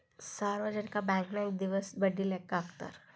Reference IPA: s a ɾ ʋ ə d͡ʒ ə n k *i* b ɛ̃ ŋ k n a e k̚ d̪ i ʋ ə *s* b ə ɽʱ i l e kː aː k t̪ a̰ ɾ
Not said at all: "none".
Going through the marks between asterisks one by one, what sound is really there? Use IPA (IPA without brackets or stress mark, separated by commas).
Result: a, s